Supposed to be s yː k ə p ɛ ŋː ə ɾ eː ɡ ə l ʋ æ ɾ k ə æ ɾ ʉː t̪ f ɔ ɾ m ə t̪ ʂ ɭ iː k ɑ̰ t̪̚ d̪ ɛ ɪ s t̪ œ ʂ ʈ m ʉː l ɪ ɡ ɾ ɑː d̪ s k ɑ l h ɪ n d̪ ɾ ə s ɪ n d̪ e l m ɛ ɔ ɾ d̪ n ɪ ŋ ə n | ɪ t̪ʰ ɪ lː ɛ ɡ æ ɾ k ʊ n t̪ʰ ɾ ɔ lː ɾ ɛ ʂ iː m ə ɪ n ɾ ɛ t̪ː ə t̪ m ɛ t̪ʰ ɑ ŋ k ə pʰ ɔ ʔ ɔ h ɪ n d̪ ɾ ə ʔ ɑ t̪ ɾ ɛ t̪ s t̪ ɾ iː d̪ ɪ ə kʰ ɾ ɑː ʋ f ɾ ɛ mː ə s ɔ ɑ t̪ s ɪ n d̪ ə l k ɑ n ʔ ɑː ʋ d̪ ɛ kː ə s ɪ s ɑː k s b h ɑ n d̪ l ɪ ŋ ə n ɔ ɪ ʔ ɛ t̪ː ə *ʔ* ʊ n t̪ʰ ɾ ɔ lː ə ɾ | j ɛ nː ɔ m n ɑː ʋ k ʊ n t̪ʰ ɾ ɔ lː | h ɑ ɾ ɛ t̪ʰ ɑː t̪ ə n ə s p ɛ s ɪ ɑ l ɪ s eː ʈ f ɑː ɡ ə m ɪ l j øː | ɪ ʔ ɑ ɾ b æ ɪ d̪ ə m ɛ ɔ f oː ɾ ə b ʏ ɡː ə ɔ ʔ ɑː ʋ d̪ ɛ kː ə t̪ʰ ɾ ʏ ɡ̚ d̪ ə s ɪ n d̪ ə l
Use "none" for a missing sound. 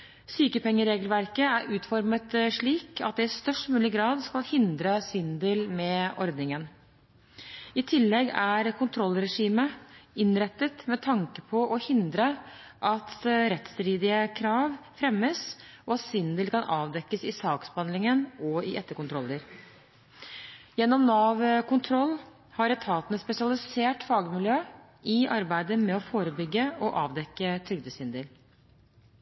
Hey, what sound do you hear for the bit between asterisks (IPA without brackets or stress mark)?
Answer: k